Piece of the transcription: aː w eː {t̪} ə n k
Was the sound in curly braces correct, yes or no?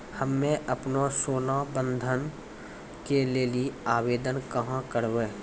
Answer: no